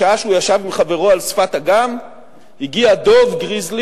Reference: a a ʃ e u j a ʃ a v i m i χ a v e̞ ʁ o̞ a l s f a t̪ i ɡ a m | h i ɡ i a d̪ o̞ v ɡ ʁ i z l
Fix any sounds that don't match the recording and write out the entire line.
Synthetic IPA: a a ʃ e u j a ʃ a v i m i χ a v e̞ ʁ o̞ a l s f a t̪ a ɡ a m | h i ɡ i a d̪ o̞ v ɡ ʁ i z l